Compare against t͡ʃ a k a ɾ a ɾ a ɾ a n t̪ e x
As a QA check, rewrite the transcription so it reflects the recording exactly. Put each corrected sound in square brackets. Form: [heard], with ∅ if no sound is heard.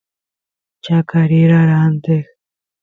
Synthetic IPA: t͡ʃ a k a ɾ [i] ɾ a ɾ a n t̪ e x

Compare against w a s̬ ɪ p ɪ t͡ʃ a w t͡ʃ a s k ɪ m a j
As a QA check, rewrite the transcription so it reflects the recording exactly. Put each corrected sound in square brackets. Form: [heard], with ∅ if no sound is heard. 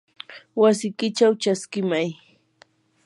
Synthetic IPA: w a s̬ ɪ [k] ɪ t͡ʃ a w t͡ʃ a s k ɪ m a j

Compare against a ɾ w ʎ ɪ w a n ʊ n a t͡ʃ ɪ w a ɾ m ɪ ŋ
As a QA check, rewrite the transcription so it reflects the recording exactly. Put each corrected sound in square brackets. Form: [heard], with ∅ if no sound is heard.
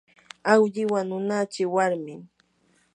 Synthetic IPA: a [∅] w ʎ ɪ w a n ʊ n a t͡ʃ ɪ w a ɾ m ɪ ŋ

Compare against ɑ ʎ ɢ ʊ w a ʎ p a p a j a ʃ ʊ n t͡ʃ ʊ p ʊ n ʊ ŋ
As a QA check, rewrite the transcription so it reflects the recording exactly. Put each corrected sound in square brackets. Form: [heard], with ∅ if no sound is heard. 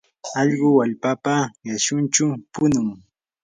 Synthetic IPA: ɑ ʎ ɢ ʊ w a ʎ p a p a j a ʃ ʊ n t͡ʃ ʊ p ʊ n ʊ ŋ

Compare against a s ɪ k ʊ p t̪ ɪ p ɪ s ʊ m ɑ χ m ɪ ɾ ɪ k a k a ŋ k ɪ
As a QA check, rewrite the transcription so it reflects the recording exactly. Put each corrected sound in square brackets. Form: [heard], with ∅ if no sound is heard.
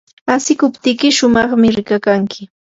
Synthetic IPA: a s ɪ k ʊ p t̪ ɪ [k] ɪ [ʃ] ʊ m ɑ χ m ɪ ɾ ɪ k a k a ŋ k ɪ

